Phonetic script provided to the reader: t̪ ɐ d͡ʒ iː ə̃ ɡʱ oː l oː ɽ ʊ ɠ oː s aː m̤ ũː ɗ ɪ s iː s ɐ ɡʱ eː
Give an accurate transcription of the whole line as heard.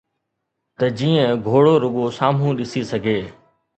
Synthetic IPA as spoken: t̪ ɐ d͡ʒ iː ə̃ ɡʱ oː ɽ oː ɾ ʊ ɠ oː s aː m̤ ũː ɗ ɪ s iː s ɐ ɡʱ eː

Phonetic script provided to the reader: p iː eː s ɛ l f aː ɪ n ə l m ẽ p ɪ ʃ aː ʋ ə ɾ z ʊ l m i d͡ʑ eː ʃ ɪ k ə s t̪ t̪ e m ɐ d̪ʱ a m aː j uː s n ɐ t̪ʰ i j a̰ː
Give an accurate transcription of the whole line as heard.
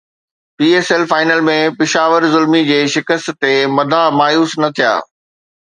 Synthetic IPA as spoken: p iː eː s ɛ l f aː ɪ n ə l m ẽ p ɪ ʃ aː ʋ ə ɾ z ʊ l m i d͡ʑ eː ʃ ɪ k ə s t̪ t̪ e m ɐ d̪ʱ a m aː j uː s n ɐ t̪ʰ i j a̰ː

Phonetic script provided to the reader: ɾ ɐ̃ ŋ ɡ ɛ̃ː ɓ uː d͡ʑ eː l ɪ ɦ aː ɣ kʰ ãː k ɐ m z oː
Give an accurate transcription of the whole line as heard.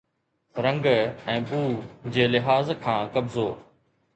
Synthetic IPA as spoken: ɾ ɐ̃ ŋ ɡ ɛ̃ː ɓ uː d͡ʑ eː l ɪ ɦ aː z kʰ ãː k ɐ b z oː

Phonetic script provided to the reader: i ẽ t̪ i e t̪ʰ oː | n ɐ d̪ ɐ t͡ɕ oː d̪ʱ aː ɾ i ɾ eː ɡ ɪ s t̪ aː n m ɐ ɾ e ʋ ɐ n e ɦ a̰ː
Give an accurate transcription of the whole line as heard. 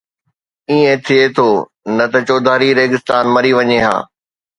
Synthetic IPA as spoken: i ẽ t̪ʰ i e t̪ʰ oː | n ɐ t̪ ɐ t͡ɕ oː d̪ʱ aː ɾ i ɾ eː ɡ ɪ s t̪ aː n m ɐ ɾ i ʋ ɐ ɲ e ɦ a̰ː

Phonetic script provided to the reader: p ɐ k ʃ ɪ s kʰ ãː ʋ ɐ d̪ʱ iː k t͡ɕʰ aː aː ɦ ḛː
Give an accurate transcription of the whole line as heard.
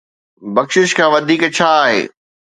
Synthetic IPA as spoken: b ɐ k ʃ ɪ ʃ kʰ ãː ʋ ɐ d̪ʱ iː k t͡ɕʰ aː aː ɦ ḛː

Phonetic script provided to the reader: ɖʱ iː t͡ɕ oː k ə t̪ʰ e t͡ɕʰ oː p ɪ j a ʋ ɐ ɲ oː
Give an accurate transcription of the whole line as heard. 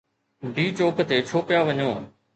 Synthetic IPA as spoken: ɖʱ iː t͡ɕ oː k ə t̪ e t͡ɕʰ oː p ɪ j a ʋ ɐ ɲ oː

